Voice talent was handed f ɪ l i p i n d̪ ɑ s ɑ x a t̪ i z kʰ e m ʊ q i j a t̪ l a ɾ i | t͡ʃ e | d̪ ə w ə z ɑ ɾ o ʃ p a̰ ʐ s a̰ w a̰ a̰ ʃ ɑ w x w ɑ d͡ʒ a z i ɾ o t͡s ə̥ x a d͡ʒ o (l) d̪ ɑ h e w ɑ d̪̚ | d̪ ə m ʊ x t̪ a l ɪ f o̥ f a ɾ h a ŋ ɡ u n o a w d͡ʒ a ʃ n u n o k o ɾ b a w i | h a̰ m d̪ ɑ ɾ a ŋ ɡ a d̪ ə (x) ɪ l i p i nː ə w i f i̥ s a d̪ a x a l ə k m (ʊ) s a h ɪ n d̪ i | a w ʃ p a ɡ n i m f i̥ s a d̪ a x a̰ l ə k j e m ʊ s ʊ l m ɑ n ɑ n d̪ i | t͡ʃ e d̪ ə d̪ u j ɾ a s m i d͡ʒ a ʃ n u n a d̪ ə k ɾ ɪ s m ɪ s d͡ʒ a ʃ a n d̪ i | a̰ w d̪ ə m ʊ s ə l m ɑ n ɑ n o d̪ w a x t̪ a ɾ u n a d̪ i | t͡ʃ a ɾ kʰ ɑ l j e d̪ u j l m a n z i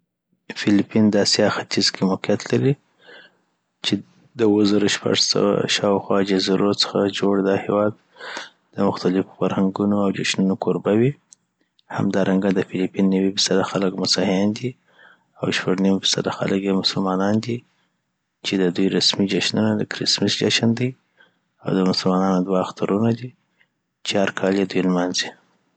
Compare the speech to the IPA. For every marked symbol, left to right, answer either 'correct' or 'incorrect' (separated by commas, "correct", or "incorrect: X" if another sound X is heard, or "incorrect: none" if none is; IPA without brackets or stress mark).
incorrect: ɽ, incorrect: f, correct